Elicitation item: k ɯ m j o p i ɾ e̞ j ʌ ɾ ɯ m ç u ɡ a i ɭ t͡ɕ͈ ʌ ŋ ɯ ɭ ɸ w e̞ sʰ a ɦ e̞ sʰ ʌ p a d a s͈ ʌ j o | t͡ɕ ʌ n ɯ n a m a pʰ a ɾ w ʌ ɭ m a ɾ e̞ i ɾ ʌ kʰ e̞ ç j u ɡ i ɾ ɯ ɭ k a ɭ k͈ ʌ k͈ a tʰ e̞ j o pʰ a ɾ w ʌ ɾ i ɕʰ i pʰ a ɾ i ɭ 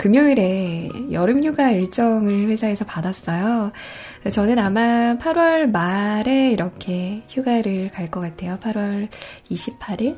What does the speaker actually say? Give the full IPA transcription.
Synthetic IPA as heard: k ɯ m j o i ɾ e̞ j ʌ ɾ ɯ m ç u ɡ a i ɭ t͡ɕ͈ ʌ ŋ ɯ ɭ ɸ w e̞ sʰ a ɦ e̞ sʰ ʌ p a d a s͈ ʌ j o | t͡ɕ ʌ n ɯ n a m a pʰ a ɾ w ʌ ɭ m a ɾ e̞ i ɾ ʌ kʰ e̞ ç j u ɡ a ɾ ɯ ɭ k a ɭ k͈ ʌ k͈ a tʰ e̞ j o pʰ a ɾ w ʌ ɾ i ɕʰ i pʰ a ɾ i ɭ